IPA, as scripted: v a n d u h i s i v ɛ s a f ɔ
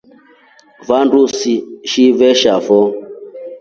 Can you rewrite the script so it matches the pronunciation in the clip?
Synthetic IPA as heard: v a n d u s i ʃ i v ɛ ʃ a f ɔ